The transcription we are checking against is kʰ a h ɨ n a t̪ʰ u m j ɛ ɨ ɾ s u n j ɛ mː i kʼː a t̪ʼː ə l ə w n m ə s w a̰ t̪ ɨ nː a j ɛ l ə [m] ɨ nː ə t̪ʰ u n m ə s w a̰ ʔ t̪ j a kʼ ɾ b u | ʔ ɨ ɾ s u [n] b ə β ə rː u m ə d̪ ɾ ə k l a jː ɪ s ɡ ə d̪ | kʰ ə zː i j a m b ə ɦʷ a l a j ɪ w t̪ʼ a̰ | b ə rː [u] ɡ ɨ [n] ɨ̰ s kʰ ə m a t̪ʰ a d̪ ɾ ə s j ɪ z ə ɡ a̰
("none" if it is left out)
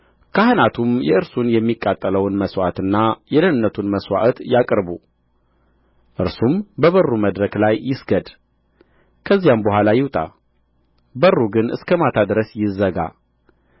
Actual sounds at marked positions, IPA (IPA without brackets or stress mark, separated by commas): n, m, u, n